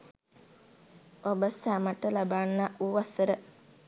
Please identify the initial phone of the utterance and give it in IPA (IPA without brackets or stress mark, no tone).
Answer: o